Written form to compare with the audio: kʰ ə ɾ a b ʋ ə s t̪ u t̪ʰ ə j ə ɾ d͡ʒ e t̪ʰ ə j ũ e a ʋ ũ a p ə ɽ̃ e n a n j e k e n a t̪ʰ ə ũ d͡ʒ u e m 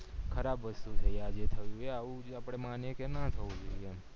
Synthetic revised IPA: kʰ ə ɾ a b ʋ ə s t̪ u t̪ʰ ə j a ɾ d͡ʒ e t̪ʰ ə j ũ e a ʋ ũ a p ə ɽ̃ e m a n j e k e n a t̪ʰ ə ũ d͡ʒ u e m